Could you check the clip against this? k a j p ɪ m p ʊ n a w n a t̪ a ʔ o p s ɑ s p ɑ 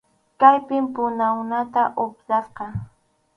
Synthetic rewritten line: k a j p ɪ m p ʊ n a w n a t̪ a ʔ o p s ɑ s q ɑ